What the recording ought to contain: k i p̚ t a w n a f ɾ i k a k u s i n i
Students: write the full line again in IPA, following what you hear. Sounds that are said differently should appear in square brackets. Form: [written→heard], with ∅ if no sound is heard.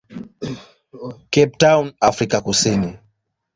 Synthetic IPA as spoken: k [i→ɛ] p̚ t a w n a f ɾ i k a k u s i n i

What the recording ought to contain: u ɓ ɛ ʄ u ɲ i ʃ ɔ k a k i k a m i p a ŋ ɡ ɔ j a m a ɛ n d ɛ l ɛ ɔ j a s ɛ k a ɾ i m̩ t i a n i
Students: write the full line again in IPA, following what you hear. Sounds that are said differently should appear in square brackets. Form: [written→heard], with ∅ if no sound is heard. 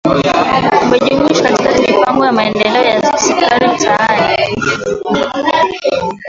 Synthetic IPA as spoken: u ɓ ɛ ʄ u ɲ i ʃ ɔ k a [k→t] i k a m i p a ŋ ɡ ɔ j a m a ɛ n d ɛ l ɛ ɔ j a s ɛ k a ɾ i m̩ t [i→a] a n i

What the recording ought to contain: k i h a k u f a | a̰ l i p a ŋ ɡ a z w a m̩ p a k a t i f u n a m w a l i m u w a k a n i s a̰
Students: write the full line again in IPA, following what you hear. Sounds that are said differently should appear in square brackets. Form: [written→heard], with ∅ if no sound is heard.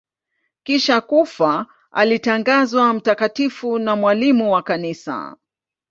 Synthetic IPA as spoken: k i [h→ʃ] a k u f a | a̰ l i [p→t] a ŋ ɡ a z w a m̩ [p→t] a k a t i f u n a m w a l i m u w a k a n i s a̰

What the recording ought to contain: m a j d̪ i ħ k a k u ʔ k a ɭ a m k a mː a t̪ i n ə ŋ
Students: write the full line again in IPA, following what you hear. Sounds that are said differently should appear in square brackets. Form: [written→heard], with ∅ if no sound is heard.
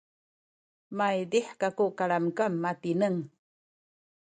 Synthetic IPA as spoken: m a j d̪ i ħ k a k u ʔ k a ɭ a m k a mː a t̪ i n ə ŋ

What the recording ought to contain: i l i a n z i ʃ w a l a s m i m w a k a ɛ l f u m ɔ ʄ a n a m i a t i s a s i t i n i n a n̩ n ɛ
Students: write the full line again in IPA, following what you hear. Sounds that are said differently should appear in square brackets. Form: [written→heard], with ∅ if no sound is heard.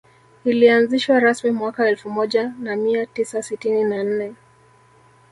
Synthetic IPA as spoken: i l i a n z i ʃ w a [l→ɾ] a s m i m w a k a ɛ l f u m ɔ ʄ a n a m i a t i s a s i t i n i n a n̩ n ɛ

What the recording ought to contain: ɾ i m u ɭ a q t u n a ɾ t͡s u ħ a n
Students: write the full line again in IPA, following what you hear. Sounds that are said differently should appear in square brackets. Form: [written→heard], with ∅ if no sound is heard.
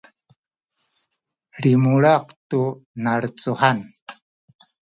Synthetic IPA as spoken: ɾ i m u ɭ a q t u n a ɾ t͡s u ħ a n

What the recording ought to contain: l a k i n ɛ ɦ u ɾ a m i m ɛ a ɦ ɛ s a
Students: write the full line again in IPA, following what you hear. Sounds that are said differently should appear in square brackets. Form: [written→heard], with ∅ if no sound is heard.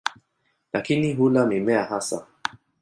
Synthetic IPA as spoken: l a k i n [ɛ→i] ɦ u [ɾ→l] a m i m ɛ a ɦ [ɛ→a] s a

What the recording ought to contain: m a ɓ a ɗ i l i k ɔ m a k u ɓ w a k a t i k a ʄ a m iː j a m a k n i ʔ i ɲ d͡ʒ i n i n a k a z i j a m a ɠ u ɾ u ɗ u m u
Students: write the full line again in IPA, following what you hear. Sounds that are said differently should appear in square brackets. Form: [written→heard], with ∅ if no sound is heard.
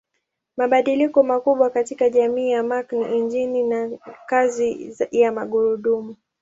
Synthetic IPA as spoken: m a ɓ a ɗ i l i k ɔ m a k u ɓ w a k a t i k a ʄ a m iː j a m a k n i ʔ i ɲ d͡ʒ i n i n a k a z i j a m a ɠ u ɾ u ɗ u m u

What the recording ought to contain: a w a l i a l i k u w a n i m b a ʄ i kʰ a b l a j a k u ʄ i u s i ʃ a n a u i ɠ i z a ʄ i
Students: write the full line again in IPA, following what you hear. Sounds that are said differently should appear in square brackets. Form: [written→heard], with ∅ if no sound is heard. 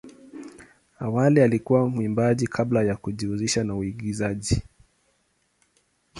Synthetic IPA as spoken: a w a l i a l i k u w a [n→m] i m b a ʄ i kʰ a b l a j a k u ʄ i u [s→z] i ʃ a n a u i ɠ i z a ʄ i

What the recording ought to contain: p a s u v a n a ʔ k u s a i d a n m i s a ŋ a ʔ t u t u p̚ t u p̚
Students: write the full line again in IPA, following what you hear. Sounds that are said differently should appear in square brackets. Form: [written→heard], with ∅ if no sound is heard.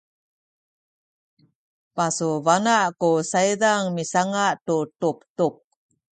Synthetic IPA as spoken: p a s u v a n a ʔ k u s a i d a [n→ŋ] m i s a ŋ a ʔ t u t u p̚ t u p̚

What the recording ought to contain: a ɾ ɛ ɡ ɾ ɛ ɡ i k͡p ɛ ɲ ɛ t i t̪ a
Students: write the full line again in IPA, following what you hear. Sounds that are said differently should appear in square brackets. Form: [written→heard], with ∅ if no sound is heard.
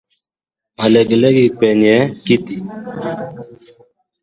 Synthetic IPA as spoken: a [ɾ→l] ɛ ɡ [ɾ→l] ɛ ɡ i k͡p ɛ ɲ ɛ [t→k] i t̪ [a→i]

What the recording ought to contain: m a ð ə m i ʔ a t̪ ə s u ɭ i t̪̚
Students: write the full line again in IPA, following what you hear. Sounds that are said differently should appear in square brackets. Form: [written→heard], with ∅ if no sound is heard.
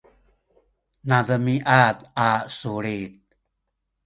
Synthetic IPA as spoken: [m→n] a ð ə m i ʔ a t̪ [ə→a] s u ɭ i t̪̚

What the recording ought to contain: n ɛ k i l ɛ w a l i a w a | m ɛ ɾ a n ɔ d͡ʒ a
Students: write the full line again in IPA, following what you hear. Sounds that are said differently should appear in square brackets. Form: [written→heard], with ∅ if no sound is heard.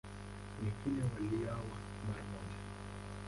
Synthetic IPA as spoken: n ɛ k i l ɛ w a l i a w a | m [ɛ→a] ɾ a [n→m] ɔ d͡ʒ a

